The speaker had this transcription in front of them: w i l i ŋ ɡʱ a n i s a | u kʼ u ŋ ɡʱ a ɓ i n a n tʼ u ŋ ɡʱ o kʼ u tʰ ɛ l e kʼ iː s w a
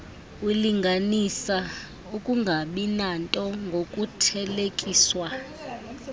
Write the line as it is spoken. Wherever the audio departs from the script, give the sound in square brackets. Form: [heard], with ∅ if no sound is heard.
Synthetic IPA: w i l i ŋ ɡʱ a n i s a | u kʼ u ŋ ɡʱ a ɓ i n a n tʼ [ɔ] ŋ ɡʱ o kʼ u tʰ ɛ l e kʼ iː s w a